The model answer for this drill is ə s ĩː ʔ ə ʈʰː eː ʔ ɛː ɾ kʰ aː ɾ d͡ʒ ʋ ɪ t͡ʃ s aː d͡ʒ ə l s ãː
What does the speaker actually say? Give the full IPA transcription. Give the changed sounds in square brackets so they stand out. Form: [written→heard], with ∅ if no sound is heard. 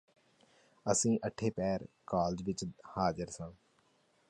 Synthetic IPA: ə s ĩː ʔ ə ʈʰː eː [ʔ→p] ɛː ɾ [kʰ→k] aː [ɾ→l] d͡ʒ ʋ ɪ t͡ʃ [s→h] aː d͡ʒ ə [l→ɾ] s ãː